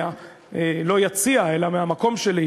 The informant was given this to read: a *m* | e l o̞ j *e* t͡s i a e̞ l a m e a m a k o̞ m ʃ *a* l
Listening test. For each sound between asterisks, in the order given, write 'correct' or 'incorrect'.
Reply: incorrect: none, incorrect: a, incorrect: e

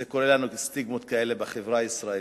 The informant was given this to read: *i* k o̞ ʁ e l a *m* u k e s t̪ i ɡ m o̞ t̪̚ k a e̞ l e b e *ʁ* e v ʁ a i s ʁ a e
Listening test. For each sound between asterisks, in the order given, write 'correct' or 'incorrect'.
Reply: incorrect: e, incorrect: n, incorrect: χ

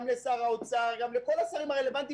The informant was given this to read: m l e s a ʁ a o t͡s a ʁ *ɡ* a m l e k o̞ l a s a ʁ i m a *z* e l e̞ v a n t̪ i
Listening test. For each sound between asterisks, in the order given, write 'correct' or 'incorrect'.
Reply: correct, incorrect: ʁ

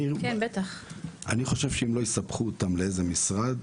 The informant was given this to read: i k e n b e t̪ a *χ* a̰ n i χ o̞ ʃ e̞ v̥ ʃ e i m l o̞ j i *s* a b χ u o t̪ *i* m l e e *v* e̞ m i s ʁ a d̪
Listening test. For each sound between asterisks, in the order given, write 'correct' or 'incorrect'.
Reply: correct, correct, incorrect: a, incorrect: z

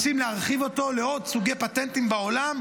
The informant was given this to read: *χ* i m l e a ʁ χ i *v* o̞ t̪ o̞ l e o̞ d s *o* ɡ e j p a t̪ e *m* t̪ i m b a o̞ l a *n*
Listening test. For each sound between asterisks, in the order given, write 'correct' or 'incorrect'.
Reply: incorrect: s, correct, incorrect: u, incorrect: n, incorrect: m

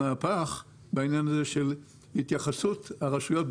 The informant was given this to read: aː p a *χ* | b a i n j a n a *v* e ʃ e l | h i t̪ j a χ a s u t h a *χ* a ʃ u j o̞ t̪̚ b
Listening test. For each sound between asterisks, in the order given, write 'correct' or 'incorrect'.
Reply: correct, incorrect: z, incorrect: ʁ

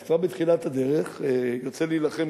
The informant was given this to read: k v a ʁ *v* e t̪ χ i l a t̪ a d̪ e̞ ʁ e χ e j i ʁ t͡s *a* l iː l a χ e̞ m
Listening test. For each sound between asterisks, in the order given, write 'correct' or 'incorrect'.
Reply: incorrect: b, incorrect: e

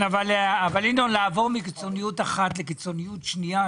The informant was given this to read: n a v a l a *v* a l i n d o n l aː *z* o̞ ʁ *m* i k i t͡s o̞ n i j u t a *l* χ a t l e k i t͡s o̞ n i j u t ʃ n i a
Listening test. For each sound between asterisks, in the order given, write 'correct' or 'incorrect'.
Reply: correct, incorrect: v, correct, incorrect: none

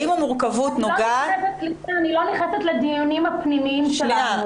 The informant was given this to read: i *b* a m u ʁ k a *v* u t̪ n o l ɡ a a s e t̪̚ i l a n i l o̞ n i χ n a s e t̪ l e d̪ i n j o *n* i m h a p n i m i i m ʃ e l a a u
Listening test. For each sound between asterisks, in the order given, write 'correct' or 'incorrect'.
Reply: incorrect: m, correct, correct

